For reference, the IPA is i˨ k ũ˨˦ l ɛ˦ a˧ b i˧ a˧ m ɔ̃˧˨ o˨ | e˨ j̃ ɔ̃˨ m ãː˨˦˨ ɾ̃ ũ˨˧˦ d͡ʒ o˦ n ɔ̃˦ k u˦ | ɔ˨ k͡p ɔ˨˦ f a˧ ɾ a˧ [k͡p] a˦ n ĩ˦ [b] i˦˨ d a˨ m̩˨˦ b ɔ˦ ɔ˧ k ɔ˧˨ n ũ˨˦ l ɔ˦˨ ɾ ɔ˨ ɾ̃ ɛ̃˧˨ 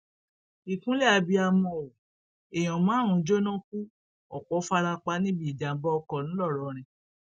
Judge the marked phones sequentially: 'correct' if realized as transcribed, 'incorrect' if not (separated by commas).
correct, correct